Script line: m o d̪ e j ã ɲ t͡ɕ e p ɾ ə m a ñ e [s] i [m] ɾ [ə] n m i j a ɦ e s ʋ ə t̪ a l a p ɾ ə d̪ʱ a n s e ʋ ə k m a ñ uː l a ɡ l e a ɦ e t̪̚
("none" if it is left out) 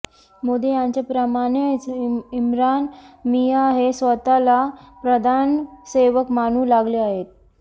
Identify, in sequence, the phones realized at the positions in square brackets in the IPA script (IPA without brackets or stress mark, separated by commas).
t͡s, m, a